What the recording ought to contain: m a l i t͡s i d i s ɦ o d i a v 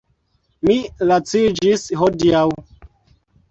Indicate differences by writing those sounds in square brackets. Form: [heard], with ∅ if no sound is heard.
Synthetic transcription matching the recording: m [i] l [a] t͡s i [d͡ʒ] i s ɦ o d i a [w]